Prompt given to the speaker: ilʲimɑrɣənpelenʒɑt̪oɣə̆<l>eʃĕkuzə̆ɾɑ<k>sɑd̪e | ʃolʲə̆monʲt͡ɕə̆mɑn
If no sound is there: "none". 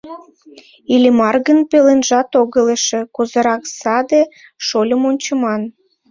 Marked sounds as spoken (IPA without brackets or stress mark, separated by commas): l, k